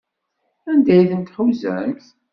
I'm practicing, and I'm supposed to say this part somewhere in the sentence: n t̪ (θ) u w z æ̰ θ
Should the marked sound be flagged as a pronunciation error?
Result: yes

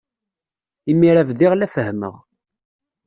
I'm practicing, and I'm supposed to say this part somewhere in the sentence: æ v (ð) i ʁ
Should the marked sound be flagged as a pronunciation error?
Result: no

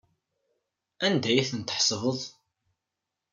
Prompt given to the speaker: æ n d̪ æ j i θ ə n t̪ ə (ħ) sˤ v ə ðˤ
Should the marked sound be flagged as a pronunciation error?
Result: no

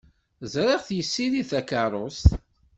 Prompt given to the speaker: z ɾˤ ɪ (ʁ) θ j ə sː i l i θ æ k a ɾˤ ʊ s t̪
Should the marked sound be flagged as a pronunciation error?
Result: no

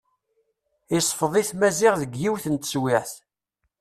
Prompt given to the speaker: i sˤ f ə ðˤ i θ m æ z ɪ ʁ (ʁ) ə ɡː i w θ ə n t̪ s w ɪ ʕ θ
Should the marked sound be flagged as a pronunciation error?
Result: yes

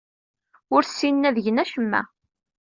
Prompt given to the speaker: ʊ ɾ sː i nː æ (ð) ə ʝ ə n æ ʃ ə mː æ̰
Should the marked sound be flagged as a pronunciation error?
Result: no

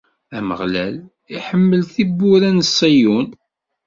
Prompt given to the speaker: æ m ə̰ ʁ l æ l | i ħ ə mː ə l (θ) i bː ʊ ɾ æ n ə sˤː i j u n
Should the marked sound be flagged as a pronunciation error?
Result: no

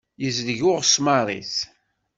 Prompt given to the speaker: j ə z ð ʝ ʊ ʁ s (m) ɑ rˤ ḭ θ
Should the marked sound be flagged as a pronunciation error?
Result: no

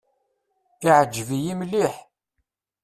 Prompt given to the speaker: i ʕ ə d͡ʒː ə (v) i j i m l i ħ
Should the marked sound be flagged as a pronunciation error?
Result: no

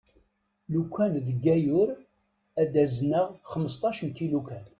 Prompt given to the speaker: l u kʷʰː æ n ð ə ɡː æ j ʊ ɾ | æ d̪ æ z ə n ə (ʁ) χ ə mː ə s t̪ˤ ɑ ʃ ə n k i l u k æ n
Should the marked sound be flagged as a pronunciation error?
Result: no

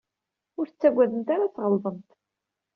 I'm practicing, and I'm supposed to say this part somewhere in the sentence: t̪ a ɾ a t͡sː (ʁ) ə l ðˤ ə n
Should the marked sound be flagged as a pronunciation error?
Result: no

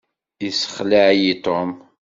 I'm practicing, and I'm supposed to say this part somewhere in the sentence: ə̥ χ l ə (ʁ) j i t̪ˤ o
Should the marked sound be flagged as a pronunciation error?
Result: yes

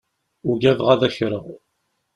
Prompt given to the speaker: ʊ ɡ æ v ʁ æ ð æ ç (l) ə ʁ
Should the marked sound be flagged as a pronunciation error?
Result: yes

